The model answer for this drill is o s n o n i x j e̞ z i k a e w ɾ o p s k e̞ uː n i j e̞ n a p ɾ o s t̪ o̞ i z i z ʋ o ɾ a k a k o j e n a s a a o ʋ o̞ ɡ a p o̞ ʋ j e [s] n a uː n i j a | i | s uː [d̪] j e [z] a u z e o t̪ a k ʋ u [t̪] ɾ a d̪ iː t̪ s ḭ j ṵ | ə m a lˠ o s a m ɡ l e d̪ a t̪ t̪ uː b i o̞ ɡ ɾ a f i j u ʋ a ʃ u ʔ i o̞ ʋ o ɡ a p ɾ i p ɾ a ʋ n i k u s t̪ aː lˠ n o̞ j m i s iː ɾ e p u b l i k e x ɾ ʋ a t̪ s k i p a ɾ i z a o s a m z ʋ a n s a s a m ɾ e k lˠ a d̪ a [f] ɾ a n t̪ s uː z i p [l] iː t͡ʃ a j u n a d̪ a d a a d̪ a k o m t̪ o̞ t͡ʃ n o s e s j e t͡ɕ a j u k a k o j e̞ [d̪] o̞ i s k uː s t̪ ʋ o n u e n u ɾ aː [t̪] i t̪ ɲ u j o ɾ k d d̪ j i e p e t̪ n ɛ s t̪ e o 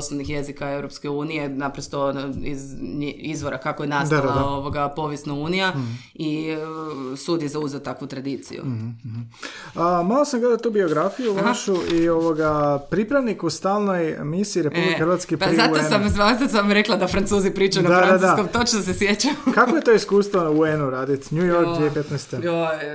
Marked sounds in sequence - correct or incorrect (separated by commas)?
correct, correct, correct, correct, correct, incorrect, incorrect, incorrect